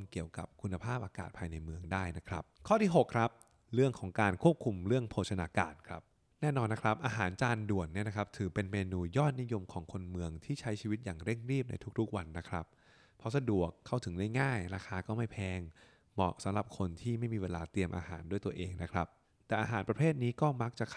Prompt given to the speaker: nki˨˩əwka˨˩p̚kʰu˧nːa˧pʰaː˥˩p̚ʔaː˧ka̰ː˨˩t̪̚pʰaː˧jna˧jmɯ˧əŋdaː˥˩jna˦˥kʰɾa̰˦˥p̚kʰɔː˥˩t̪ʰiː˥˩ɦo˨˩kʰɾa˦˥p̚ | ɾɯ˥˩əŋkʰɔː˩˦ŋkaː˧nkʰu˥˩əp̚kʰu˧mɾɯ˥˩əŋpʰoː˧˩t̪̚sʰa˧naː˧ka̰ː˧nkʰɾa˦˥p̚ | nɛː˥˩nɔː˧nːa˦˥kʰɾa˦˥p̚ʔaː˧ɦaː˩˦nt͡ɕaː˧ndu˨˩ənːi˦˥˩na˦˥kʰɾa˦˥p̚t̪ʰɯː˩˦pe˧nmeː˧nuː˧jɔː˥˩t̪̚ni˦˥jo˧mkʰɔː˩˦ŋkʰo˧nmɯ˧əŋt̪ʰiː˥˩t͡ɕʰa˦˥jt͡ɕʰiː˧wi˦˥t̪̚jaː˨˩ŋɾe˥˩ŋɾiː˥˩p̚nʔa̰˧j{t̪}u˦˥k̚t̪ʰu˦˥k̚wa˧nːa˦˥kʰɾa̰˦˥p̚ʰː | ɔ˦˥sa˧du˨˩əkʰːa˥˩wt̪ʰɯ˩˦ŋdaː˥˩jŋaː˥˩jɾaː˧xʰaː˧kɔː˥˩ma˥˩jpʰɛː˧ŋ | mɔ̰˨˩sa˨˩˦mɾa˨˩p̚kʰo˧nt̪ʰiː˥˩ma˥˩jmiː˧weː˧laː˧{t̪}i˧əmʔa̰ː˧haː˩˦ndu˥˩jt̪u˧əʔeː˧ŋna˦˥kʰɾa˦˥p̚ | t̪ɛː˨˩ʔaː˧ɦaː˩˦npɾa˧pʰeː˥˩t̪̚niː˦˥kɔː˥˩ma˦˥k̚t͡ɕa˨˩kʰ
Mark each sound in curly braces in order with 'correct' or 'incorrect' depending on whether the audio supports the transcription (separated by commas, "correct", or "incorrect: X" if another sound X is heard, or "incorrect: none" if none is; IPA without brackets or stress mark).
incorrect: t̪ʰ, correct